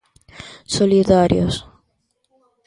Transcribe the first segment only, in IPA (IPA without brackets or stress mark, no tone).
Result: s